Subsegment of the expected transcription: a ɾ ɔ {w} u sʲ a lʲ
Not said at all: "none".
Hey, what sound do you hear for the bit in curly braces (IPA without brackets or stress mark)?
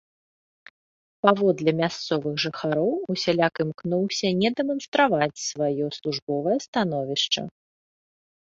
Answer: w